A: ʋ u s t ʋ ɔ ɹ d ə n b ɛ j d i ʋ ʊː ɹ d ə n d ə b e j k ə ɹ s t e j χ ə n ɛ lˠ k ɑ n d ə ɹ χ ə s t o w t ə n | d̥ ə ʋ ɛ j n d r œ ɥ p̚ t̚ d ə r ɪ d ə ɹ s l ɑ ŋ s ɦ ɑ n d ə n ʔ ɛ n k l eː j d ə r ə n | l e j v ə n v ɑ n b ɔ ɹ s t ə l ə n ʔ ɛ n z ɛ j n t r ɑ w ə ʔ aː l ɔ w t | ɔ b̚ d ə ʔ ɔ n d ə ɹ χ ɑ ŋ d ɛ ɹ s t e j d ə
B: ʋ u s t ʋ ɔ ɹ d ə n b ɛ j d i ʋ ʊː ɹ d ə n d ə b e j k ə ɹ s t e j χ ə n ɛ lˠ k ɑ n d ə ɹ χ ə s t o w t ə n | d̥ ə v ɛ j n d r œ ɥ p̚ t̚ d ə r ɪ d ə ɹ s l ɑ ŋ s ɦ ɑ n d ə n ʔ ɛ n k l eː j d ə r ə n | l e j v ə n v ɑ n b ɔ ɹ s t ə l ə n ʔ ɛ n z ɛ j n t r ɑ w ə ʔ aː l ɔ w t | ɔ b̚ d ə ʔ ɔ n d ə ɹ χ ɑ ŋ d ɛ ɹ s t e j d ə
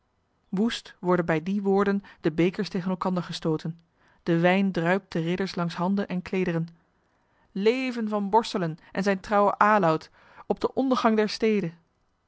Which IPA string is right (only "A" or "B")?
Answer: A